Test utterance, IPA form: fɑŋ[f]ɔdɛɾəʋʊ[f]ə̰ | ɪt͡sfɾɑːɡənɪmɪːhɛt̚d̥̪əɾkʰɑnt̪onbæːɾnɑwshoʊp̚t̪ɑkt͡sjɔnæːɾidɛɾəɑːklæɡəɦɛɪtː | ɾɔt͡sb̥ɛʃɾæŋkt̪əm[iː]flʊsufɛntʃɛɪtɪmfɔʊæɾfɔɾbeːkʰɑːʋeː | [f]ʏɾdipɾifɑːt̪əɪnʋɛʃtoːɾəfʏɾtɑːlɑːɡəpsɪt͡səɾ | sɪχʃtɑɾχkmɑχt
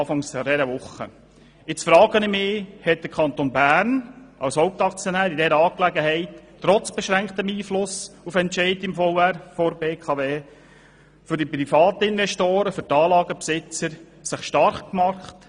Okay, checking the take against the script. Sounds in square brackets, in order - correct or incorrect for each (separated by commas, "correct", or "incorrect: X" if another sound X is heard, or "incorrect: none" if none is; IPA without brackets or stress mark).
incorrect: s, incorrect: χ, correct, correct